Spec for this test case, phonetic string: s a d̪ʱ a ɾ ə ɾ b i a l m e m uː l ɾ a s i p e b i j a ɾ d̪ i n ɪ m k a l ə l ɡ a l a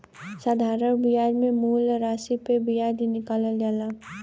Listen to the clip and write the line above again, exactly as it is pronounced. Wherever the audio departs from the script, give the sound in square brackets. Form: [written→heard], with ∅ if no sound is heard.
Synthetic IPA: s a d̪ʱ a ɾ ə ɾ b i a [l→ɾ] m e m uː l ɾ a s i p e b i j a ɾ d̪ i n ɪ [m→∅] k a l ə l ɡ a l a